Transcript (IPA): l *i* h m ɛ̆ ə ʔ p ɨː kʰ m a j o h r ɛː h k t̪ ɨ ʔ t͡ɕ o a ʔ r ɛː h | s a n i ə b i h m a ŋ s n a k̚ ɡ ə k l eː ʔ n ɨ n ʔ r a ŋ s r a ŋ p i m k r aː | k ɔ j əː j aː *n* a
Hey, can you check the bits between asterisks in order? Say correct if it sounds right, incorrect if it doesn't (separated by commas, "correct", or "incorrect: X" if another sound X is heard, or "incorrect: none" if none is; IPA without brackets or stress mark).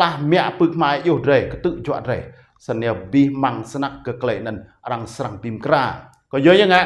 incorrect: a, incorrect: ŋ